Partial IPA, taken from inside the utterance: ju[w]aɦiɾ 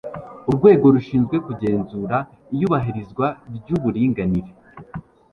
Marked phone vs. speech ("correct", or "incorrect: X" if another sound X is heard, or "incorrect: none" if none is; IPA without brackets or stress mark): incorrect: β